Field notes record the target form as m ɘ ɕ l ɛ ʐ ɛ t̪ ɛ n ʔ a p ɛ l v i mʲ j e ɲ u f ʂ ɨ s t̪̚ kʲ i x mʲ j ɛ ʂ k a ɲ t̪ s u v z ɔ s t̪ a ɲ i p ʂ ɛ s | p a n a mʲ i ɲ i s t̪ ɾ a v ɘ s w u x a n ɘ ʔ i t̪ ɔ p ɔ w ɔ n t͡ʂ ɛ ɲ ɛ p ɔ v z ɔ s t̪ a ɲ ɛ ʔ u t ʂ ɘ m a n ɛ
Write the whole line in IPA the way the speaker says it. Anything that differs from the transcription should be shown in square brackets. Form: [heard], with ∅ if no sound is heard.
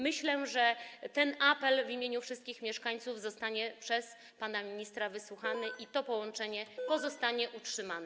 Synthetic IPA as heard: m ɘ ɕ l ɛ ʐ ɛ t̪ ɛ n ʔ a p ɛ l v i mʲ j e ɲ u f ʂ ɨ s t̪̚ kʲ i x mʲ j ɛ ʂ k a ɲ t̪ s u v z ɔ s t̪ a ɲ [ɛ] p ʂ ɛ s | p a n a mʲ i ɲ i s t̪ ɾ a v ɘ s w u x a n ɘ ʔ i t̪ ɔ p ɔ w ɔ n t͡ʂ ɛ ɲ ɛ p ɔ [∅] z ɔ s t̪ a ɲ ɛ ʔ u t ʂ ɘ m a n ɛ